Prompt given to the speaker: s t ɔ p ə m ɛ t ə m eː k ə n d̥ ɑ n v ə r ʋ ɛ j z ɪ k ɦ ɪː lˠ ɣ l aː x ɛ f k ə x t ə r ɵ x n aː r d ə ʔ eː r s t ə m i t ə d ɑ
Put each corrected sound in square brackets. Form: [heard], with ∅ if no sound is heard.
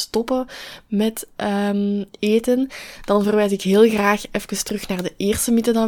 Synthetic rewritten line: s t ɔ p ə m ɛ t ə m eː [t] ə n d̥ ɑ n v ə r ʋ ɛ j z ɪ k ɦ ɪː lˠ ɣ [r] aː x ɛ f k ə [s] t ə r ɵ x n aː r d ə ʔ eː r s t ə m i t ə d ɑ